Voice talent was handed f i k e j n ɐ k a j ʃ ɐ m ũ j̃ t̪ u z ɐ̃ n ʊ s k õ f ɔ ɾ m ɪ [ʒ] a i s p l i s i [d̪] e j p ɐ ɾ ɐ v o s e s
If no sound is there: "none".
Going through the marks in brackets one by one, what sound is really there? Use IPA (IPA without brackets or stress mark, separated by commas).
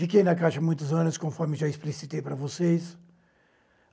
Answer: ʒ, t̪